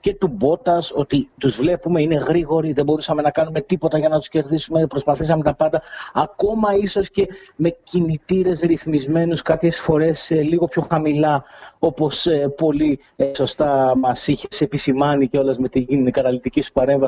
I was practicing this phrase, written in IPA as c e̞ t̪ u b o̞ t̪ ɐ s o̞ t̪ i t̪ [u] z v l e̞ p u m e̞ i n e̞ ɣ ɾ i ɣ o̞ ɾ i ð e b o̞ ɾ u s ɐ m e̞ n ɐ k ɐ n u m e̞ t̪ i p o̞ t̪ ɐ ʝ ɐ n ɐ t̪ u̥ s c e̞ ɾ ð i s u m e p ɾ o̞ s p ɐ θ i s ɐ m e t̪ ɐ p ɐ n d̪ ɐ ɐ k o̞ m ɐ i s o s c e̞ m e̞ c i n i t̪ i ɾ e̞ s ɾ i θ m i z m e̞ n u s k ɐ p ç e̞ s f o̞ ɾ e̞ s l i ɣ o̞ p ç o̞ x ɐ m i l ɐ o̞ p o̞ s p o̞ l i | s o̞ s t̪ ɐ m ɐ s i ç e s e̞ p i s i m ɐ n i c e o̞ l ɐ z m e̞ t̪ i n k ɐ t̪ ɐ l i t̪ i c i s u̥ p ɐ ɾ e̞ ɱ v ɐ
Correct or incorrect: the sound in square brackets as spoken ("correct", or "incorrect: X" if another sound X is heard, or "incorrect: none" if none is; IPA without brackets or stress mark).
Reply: correct